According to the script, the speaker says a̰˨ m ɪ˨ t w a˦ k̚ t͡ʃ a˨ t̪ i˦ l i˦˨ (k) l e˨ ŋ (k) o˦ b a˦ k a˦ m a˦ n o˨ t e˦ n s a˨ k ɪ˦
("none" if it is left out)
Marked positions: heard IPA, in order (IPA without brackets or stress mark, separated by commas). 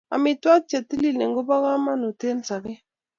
none, ɡ